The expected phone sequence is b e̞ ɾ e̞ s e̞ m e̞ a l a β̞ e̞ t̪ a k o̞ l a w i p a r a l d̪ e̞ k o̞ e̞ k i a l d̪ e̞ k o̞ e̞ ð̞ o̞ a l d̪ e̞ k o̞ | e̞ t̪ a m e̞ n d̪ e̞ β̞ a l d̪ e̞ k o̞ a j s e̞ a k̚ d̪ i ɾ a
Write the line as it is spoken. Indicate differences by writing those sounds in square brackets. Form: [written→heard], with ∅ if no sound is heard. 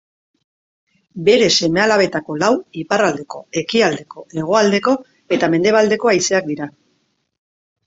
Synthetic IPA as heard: b e̞ ɾ e̞ s e̞ m e̞ a l a β̞ e̞ t̪ a k o̞ l a w i p a r a l d̪ e̞ k o̞ e̞ k i a l d̪ e̞ k o̞ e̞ [ð̞→ɣ̞] o̞ a l d̪ e̞ k o̞ | e̞ t̪ a m e̞ n d̪ e̞ β̞ a l d̪ e̞ k o̞ a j s e̞ a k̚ d̪ i ɾ a